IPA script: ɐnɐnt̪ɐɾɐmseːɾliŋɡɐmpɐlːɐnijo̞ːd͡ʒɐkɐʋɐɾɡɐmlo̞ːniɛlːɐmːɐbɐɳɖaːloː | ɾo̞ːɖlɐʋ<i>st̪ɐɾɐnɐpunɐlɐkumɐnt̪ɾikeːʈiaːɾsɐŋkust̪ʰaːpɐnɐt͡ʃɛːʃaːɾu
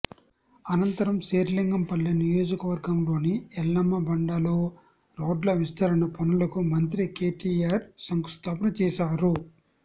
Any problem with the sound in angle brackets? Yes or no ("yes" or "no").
no